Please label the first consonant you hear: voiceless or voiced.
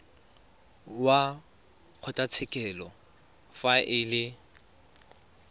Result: voiced